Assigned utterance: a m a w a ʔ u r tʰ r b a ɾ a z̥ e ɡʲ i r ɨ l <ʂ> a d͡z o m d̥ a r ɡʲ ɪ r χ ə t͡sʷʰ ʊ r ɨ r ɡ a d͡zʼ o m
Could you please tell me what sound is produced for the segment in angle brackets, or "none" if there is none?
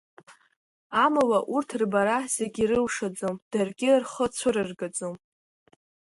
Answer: ʂ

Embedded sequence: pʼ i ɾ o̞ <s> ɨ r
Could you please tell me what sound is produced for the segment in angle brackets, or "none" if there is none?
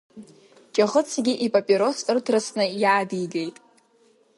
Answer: s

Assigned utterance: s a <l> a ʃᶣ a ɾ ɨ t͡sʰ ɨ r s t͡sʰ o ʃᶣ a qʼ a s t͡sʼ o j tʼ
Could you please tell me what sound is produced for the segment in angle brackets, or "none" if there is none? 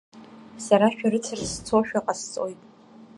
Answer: ɾ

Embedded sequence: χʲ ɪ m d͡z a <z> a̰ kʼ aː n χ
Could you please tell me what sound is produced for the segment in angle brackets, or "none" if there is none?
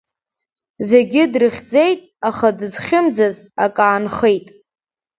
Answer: z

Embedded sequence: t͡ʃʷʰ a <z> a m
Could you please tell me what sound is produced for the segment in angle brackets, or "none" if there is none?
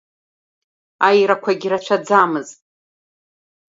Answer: d͡z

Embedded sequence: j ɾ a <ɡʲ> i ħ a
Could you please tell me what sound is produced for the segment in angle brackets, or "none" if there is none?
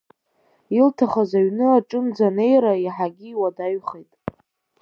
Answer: none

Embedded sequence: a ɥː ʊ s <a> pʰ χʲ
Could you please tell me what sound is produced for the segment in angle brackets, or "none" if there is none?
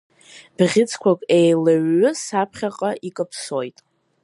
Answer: a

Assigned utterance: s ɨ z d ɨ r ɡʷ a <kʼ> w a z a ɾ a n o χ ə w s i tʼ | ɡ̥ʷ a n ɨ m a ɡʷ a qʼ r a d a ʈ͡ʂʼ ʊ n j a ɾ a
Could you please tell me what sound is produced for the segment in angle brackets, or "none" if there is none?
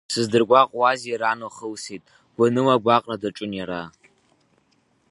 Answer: qʼ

